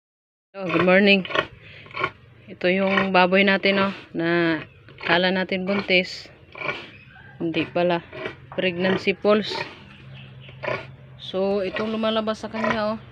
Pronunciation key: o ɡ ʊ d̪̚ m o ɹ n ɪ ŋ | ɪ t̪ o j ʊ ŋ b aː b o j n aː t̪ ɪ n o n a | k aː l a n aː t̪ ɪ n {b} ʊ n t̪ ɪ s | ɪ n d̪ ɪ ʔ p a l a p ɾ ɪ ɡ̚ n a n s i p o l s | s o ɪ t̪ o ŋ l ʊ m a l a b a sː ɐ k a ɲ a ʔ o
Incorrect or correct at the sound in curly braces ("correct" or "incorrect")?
correct